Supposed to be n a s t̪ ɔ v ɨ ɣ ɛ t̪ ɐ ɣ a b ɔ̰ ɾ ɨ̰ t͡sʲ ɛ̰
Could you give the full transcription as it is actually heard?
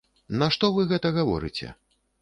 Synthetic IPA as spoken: n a ʂ t̪ ɔ v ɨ ɣ ɛ t̪ ɐ ɣ a v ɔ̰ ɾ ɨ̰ t͡sʲ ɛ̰